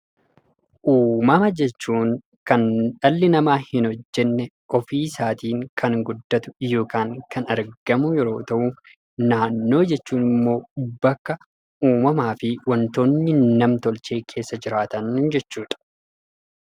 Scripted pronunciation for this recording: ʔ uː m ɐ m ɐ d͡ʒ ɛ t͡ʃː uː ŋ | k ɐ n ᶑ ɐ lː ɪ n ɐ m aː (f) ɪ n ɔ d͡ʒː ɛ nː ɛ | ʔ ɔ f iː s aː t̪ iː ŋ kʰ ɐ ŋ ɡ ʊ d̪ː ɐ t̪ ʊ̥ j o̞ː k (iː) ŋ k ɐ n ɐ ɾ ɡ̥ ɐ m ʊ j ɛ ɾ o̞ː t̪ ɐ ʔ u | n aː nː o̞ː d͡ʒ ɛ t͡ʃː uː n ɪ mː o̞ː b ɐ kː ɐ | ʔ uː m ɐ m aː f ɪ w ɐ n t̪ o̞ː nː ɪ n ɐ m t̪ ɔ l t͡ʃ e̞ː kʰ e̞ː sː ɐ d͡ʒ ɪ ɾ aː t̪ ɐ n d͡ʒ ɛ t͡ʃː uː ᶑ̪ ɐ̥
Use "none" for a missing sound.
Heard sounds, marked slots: h, aː

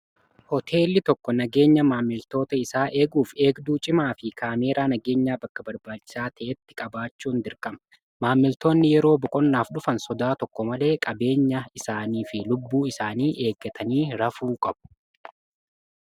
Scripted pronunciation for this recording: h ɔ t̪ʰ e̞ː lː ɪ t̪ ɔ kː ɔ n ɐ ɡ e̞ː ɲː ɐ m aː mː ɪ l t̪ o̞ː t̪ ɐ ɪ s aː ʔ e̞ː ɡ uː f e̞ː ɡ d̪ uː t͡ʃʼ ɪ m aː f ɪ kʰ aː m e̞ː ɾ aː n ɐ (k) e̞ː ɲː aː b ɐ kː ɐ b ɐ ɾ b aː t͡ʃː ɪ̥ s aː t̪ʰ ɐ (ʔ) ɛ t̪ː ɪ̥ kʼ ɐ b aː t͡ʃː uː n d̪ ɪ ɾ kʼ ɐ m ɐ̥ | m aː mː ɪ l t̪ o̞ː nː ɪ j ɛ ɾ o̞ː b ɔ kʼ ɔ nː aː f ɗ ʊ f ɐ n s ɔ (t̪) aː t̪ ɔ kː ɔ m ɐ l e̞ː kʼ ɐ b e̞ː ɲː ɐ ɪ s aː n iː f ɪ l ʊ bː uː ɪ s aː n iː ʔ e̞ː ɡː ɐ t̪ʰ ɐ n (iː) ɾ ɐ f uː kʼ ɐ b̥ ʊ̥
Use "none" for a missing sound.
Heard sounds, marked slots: ɡ, ʔ, d̪, iː

